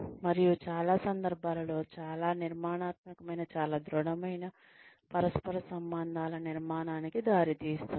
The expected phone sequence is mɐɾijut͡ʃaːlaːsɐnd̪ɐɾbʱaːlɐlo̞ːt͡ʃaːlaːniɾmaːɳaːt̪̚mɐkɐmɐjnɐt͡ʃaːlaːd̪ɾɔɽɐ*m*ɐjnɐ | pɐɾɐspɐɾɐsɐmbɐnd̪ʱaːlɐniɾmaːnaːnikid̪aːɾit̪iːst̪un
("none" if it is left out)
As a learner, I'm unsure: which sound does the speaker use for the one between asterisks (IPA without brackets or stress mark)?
m